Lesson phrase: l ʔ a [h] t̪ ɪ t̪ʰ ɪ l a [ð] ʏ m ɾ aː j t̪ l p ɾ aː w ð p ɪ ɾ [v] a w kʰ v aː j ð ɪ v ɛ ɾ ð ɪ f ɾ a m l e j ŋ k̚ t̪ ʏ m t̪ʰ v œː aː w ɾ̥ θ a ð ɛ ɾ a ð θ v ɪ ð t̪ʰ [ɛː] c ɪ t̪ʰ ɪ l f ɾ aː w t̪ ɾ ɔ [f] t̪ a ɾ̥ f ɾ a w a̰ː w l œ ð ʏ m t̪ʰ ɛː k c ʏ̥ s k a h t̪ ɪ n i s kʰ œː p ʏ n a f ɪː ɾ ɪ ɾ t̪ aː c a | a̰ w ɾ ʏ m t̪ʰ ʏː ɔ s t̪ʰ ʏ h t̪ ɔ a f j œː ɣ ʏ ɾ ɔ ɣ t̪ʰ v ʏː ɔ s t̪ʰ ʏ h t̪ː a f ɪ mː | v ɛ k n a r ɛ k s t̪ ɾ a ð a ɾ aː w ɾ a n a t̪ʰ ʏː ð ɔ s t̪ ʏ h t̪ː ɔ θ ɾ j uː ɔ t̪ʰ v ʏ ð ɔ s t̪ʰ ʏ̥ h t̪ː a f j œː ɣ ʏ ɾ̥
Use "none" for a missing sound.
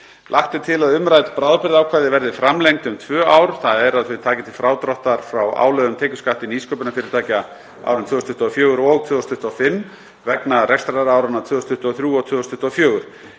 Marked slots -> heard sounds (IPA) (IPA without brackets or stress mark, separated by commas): h, ð, ð, aː, h